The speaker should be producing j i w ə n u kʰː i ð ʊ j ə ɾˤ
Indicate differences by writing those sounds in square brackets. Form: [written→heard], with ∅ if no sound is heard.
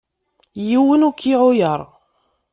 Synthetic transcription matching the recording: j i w ə n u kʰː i [ð→ʕ] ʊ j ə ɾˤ